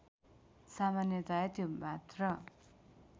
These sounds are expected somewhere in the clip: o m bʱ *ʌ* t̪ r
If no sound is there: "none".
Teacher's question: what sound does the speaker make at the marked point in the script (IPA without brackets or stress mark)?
a